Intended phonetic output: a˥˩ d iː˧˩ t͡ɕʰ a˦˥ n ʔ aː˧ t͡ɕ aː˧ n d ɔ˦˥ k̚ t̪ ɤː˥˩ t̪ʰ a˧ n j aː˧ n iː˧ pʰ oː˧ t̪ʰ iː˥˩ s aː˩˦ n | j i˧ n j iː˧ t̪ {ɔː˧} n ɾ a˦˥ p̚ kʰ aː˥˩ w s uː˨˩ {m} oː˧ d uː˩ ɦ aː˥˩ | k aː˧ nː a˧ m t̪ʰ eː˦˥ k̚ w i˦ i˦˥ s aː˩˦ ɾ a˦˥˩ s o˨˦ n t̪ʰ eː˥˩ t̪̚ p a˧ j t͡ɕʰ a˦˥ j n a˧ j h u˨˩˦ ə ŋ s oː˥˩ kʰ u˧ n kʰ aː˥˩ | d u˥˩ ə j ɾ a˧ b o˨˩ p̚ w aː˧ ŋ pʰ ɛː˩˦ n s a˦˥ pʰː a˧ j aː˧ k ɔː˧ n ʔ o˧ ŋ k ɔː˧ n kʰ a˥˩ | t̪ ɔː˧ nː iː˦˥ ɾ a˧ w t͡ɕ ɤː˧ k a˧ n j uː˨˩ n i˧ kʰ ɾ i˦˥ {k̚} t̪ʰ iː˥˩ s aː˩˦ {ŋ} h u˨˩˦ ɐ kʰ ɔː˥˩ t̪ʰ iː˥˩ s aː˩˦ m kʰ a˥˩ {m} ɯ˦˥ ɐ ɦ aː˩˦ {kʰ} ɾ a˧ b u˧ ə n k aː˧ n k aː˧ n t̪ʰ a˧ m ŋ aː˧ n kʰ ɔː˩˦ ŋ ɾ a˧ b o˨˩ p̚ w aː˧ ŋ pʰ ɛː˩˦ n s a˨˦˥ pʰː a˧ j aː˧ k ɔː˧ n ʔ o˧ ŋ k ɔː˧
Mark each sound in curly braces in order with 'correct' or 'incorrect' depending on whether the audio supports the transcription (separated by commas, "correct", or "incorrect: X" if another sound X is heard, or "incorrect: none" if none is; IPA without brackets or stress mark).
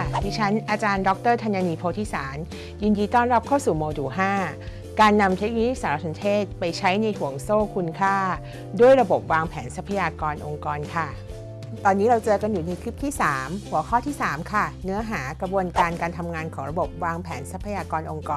incorrect: ɔː˥˩, correct, incorrect: p̚, incorrect: m, incorrect: n, incorrect: k